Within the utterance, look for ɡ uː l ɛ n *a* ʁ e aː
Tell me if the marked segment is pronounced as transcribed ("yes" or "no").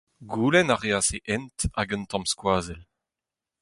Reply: yes